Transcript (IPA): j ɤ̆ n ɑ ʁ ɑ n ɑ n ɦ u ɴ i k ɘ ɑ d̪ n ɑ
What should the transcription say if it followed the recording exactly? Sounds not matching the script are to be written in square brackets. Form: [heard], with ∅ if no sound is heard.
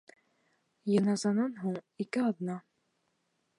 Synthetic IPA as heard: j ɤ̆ n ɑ [z] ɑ n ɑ n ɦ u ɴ i k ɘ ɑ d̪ n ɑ